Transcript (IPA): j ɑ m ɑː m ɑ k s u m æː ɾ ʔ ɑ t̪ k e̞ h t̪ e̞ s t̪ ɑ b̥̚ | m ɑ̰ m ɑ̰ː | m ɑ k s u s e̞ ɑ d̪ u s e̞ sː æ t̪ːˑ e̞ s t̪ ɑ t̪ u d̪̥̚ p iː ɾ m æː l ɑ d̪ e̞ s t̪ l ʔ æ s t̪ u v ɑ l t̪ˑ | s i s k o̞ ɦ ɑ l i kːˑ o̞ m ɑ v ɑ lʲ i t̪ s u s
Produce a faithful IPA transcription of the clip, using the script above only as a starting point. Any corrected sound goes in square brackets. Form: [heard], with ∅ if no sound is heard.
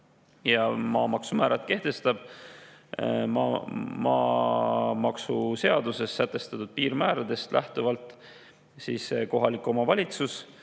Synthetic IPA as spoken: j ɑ m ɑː m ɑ k s u m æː ɾ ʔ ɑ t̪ k e̞ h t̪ e̞ s t̪ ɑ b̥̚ | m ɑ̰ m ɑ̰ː | m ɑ k s u s e̞ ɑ d̪ u s e̞ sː æ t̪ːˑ e̞ s t̪ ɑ t̪ u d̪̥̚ p iː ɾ m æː [ɾ] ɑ d̪ e̞ s t̪ l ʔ æ [h] t̪ u v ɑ l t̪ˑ | s i s k o̞ ɦ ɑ l i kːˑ o̞ m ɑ v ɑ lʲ i t̪ s u s